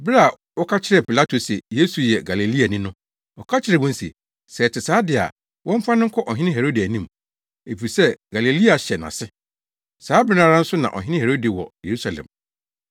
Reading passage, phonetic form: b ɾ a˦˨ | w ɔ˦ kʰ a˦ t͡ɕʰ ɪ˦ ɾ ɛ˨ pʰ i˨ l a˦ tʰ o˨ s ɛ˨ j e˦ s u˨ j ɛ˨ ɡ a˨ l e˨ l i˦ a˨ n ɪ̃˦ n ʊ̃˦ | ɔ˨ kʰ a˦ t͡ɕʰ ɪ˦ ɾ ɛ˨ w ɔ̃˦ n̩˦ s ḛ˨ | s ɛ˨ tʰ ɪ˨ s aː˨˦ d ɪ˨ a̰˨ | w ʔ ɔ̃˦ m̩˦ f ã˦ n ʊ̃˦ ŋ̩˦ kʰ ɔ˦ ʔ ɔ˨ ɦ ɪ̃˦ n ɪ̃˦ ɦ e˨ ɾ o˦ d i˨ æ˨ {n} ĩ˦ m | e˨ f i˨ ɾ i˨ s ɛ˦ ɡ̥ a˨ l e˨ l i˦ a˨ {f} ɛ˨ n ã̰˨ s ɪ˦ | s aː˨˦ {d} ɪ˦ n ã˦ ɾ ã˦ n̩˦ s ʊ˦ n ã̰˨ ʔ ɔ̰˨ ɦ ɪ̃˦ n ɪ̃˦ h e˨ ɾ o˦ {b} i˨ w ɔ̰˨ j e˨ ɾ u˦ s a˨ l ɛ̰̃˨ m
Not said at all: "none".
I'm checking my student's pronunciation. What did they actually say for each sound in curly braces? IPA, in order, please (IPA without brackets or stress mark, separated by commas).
n, ɕ, b, d